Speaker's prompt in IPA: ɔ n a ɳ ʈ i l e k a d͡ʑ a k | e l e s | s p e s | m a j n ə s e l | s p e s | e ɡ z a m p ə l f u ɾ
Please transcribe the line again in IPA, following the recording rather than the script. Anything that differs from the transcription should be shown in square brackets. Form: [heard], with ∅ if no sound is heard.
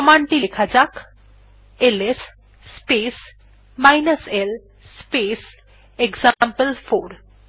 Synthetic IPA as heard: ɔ [m] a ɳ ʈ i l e [kʰ] a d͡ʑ a k | e l e s | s p e s | m a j n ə s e l | s p e s | e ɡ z a m p ə l f [o] ɾ

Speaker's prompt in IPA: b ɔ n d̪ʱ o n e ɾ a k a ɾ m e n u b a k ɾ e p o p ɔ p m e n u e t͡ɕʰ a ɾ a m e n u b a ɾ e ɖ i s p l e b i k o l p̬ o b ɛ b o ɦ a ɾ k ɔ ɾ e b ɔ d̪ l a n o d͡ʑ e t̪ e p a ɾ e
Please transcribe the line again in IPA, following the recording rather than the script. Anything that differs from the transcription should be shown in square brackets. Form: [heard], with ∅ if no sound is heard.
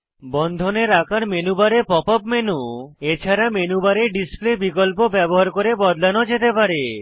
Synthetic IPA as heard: b ɔ n d̪ʱ o n e ɾ a k a ɾ m e n u b a [∅] ɾ e p [ɔ] p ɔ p m e n u e t͡ɕʰ a ɾ a m e n u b a ɾ e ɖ i s p l e b i k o l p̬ o b ɛ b o ɦ a ɾ k [o] ɾ e b ɔ d̪ l a n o d͡ʑ e t̪ e p a ɾ e

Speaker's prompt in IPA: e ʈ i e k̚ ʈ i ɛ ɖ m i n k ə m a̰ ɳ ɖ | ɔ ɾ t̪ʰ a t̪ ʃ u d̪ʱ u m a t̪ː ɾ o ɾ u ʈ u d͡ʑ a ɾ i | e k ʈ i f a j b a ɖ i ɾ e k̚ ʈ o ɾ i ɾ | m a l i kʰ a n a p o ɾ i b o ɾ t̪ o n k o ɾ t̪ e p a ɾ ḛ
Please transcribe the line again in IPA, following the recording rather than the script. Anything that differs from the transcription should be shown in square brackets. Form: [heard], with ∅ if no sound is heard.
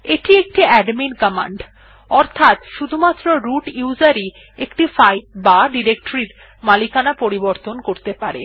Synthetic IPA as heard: e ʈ i e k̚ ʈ i ɛ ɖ m i n k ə m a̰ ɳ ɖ | ɔ ɾ t̪ʰ a t̪ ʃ u d̪ʱ u m a t̪ː ɾ o ɾ u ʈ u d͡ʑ a ɾ i | e k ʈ i f a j b a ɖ i ɾ e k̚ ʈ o ɾ i ɾ | m a l i [k] a n a p o ɾ i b o ɾ t̪ o n k o ɾ t̪ e p a ɾ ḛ

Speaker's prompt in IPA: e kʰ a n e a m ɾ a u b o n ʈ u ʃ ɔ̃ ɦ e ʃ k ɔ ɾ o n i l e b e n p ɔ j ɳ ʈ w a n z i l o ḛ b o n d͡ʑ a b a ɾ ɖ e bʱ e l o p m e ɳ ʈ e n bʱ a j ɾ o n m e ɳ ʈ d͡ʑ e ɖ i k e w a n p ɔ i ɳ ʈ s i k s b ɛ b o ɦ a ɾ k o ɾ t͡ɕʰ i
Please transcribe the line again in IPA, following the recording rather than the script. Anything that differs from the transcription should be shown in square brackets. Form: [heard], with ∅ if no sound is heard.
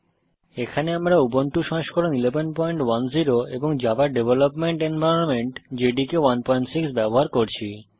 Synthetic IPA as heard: e kʰ a n e a m ɾ a u b o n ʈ u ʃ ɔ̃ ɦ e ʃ k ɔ ɾ o n i l e b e n p ɔ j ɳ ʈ w a n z i [ɾ] o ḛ b o [ŋ] d͡ʑ a b a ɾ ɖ e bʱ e l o p m e ɳ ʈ e n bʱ a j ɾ o n m e ɳ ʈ d͡ʑ e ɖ i k e w a n p ɔ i ɳ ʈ s i k s b ɛ b o ɦ a ɾ k o ɾ t͡ɕʰ i

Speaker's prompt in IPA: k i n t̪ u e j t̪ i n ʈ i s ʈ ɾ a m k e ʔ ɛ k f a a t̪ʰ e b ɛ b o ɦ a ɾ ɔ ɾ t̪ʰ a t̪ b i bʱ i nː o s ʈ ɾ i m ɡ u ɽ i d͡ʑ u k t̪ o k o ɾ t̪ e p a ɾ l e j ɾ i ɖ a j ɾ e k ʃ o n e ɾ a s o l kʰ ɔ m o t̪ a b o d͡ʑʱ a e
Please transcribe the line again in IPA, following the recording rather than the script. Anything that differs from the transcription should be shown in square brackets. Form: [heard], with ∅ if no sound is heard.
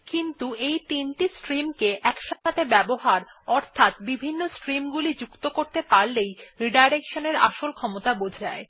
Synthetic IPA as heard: k i n t̪ u e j t̪ i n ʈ i s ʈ ɾ [i] m k e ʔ ɛ k [ʃ] a a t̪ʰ e b ɛ b o ɦ a ɾ ɔ ɾ t̪ʰ a t̪ b i bʱ i nː o s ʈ ɾ i m ɡ u [l] i d͡ʑ u k t̪ o k o ɾ t̪ e p a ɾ l e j ɾ i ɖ a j ɾ e k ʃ o n e ɾ a [ʃ] o l kʰ ɔ m o t̪ a b o d͡ʑʱ a e

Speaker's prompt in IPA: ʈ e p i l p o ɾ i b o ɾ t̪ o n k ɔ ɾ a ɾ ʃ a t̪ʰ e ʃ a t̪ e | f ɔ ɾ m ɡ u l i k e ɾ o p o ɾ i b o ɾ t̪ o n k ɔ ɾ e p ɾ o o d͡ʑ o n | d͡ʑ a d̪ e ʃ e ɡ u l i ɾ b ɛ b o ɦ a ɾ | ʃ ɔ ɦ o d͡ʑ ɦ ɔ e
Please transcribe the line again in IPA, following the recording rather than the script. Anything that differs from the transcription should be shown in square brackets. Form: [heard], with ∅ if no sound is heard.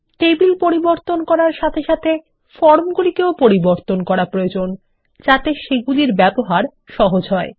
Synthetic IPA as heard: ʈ e [b] i l p o ɾ i b o ɾ t̪ o n k ɔ ɾ a ɾ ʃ a t̪ʰ e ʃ a [t̪ʰ] e | f ɔ ɾ m ɡ u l i k e [∅] o p o ɾ i b o ɾ t̪ o n k ɔ ɾ [a] p ɾ o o d͡ʑ o n | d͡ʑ a [t̪] e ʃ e ɡ u l i ɾ b ɛ b o ɦ a ɾ | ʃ ɔ ɦ o d͡ʑ ɦ ɔ e

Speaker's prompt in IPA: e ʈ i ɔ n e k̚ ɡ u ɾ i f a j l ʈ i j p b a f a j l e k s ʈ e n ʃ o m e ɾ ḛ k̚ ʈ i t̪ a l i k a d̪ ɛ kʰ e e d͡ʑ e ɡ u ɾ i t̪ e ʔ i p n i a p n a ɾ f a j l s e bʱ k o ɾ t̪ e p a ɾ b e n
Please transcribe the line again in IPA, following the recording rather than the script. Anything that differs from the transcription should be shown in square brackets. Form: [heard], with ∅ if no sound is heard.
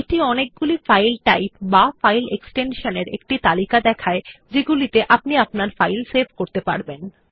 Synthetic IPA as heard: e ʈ i ɔ n e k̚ ɡ u [l] i f a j l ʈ [a] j p b a f a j l e k s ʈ e n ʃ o [n] e ɾ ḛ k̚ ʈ i t̪ a l i k a d̪ ɛ kʰ [a] e d͡ʑ e ɡ u [l] i t̪ e ʔ [a] p n i a p n a ɾ f a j l s e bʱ k o ɾ t̪ e p a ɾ b e n

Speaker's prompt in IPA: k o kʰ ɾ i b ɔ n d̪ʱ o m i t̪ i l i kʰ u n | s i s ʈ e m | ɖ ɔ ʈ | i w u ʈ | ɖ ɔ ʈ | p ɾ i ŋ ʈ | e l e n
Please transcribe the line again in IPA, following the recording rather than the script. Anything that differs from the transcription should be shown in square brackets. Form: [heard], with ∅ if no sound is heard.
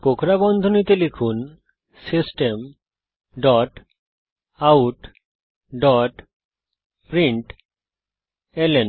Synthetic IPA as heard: k o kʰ ɾ [a] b ɔ n d̪ʱ o [n] i t̪ [e] l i kʰ u n | s i s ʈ e m | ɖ ɔ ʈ | [a] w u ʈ | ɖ ɔ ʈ | p ɾ i [ɳ] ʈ | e l e n

